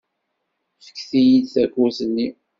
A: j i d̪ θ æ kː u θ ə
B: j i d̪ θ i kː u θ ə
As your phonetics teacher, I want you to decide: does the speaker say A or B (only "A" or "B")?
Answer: A